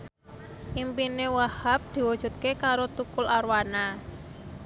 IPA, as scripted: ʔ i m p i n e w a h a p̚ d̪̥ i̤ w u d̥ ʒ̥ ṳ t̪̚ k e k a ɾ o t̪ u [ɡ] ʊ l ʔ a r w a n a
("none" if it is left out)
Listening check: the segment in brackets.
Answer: k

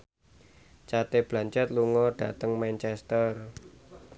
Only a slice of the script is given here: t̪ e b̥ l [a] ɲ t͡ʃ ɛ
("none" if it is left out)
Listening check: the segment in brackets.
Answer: a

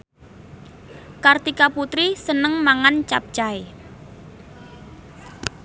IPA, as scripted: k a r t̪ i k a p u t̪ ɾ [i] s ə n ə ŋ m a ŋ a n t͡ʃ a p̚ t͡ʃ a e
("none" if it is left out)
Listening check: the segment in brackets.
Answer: i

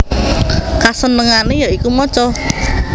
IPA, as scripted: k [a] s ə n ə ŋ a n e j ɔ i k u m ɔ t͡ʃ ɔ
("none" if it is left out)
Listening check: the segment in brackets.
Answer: a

